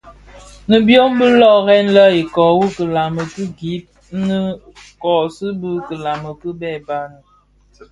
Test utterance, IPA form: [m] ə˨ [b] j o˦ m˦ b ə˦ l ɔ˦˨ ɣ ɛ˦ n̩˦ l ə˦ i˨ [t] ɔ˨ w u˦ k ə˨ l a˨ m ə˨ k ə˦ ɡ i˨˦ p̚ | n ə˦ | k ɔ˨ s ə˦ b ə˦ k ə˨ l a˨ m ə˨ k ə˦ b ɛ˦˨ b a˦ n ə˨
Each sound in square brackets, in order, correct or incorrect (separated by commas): incorrect, correct, incorrect